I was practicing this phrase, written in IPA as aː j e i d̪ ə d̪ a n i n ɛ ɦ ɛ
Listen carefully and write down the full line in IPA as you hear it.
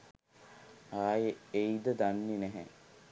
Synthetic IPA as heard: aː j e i d̪ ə d̪ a nː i n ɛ ɦ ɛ